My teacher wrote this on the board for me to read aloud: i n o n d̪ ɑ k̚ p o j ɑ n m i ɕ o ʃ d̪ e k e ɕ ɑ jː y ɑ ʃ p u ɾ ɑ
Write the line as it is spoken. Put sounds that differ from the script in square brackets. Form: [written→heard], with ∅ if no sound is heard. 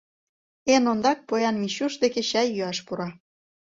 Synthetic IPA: [i→e] n o n d̪ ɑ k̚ p o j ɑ n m i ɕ [o→u] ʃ d̪ e k e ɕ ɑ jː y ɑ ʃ p u ɾ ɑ